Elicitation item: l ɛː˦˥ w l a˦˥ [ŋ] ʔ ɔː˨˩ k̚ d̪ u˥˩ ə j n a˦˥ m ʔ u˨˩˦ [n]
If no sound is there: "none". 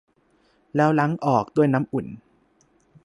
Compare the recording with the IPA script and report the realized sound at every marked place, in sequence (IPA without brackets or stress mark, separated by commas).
ŋ, n